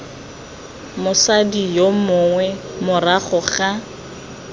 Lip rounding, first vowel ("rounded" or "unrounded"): rounded